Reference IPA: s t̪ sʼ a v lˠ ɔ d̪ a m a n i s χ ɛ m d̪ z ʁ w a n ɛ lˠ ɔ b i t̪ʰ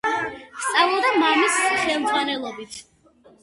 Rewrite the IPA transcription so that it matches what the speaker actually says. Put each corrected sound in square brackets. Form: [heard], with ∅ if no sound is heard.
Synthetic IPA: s t̪ sʼ a v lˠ ɔ d̪ a m a [m] i s χ ɛ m d̪ z ʁ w a n ɛ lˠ ɔ b i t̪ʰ